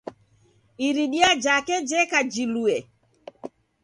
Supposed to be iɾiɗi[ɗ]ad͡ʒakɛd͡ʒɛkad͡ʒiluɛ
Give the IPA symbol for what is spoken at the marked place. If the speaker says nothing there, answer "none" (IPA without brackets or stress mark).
none